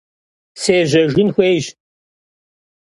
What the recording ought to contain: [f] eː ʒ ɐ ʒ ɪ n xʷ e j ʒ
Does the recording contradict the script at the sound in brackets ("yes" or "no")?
yes